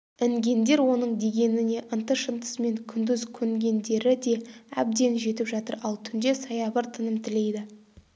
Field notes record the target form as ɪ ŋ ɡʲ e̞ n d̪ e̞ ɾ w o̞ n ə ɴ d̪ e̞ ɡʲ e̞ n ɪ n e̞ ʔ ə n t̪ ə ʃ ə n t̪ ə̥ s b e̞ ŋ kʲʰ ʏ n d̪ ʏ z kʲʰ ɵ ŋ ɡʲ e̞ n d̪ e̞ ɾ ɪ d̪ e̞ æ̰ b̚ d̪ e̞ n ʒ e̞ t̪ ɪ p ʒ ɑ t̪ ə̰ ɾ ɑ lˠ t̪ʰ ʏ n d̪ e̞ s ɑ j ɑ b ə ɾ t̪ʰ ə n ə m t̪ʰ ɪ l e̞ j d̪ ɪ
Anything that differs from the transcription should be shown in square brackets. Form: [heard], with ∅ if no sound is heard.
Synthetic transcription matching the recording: ɪ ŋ ɡʲ e̞ n d̪ e̞ ɾ w o̞ n ə ɴ d̪ e̞ ɡʲ e̞ n ɪ n e̞ ʔ ə n t̪ ə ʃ ə n t̪ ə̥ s [m] e̞ ŋ kʲʰ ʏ n d̪ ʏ z kʲʰ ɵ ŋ ɡʲ e̞ n d̪ e̞ ɾ ɪ d̪ e̞ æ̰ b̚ d̪ e̞ n ʒ e̞ t̪ ɪ p ʒ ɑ t̪ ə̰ ɾ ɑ lˠ t̪ʰ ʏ n d̪ e̞ s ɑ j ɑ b ə ɾ t̪ʰ ə n ə m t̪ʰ ɪ l e̞ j d̪ ɪ